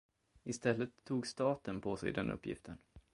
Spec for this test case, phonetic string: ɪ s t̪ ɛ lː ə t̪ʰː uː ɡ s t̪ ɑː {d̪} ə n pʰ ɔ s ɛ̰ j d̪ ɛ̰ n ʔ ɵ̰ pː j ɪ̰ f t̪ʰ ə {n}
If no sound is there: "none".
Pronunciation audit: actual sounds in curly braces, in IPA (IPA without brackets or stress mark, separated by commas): t̪, n